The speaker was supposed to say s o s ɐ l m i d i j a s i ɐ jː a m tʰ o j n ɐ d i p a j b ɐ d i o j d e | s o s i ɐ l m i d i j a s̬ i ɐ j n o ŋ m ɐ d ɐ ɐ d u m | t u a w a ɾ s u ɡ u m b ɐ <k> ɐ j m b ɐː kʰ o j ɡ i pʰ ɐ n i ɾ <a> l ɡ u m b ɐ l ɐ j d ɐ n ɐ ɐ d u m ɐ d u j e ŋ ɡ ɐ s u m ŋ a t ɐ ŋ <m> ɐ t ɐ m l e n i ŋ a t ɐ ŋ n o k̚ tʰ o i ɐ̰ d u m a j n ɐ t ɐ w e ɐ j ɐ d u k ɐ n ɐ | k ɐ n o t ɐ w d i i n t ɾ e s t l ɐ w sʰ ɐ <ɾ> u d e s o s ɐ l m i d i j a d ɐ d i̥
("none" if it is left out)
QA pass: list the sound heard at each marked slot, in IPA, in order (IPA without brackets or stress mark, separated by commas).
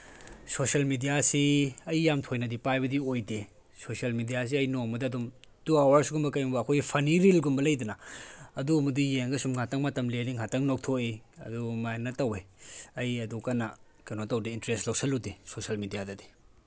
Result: k, i, m, l